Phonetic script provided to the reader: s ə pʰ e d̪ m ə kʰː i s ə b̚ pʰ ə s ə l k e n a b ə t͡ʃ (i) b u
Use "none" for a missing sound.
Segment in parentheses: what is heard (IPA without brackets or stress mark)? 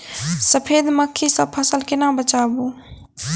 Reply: a